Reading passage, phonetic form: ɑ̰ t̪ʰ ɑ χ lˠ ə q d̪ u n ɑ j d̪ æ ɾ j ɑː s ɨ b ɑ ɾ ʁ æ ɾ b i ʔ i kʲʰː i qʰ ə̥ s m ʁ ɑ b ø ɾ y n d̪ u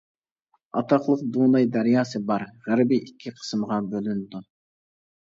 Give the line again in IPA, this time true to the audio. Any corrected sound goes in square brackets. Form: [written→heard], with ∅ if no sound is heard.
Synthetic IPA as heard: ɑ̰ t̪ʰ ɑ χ lˠ ə q d̪ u n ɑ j d̪ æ ɾ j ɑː s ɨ b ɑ ɾ ʁ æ ɾ b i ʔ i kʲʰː i qʰ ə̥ s m ʁ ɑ b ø [ɾ→l] y n d̪ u